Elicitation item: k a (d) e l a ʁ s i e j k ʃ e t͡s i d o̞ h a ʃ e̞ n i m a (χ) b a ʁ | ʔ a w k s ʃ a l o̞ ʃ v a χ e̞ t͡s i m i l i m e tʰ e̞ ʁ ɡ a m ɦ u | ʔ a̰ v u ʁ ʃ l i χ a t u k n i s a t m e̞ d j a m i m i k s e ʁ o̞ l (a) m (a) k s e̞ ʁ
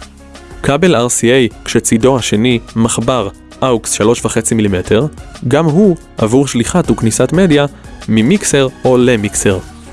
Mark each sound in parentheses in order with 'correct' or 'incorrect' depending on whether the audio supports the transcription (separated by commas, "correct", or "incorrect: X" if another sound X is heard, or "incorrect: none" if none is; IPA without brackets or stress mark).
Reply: incorrect: b, correct, incorrect: e, incorrect: i